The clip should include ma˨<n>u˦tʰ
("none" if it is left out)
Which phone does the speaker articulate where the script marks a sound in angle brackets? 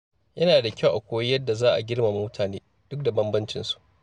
m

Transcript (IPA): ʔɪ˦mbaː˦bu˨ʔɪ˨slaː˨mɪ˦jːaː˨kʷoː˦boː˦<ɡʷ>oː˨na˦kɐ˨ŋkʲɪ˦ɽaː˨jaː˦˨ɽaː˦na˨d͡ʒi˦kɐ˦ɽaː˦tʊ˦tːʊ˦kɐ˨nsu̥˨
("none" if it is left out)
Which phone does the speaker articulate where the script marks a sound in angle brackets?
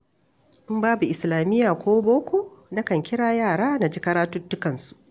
kʷ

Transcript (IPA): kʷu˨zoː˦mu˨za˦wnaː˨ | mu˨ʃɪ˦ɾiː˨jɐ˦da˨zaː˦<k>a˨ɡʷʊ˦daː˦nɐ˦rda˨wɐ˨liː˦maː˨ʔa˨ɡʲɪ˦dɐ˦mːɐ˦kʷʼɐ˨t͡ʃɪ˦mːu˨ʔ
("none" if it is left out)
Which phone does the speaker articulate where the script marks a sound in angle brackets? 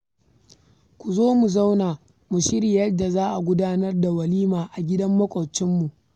ʔ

